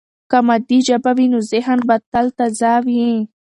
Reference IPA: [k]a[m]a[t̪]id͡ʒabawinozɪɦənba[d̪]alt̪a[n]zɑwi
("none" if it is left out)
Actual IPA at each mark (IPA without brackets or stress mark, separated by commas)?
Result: k, m, d̪, t̪, none